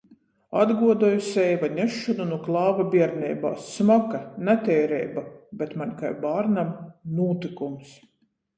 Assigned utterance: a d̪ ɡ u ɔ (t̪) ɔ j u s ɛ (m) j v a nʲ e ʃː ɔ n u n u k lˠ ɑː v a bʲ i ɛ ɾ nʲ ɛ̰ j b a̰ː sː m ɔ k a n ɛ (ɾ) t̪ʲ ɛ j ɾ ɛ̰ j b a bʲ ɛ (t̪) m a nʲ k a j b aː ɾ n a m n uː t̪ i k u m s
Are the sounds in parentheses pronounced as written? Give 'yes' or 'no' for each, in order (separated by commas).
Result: no, no, no, yes